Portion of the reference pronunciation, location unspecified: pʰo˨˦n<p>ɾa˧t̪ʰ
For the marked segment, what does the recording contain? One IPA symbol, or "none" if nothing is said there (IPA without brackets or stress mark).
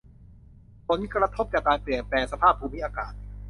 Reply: k